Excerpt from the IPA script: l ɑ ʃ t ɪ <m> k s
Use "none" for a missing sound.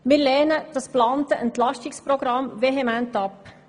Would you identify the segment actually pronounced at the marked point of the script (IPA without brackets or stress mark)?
none